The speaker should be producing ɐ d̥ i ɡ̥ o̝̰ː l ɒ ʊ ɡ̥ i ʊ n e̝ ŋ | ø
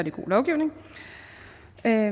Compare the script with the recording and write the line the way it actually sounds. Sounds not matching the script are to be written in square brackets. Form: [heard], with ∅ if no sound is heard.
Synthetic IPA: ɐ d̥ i ɡ̥ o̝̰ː l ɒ ʊ ɡ̥ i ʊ n e̝ ŋ | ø